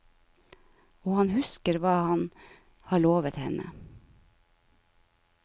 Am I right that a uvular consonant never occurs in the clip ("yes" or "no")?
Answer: yes